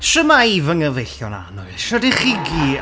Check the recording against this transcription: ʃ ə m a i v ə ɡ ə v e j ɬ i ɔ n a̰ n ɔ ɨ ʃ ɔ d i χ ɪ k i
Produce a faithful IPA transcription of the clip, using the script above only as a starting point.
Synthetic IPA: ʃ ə m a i v ə ŋ ə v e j ɬ j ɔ n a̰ n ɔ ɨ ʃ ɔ d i χ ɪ ɡ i